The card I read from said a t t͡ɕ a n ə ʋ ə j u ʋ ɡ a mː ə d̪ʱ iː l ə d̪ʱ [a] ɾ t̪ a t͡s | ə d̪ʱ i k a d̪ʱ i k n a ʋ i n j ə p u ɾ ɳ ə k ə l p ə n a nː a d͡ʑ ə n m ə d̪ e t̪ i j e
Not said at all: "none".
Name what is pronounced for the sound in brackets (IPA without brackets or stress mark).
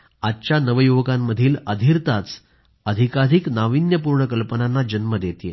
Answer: i